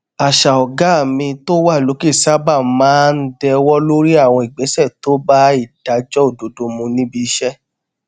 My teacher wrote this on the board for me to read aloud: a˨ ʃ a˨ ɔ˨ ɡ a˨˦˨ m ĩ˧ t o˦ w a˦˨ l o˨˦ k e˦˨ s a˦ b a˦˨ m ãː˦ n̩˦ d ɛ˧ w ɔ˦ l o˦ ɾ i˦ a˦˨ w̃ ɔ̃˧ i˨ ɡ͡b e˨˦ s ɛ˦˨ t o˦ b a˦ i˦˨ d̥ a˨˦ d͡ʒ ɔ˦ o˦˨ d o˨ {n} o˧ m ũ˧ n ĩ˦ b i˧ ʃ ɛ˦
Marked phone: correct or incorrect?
incorrect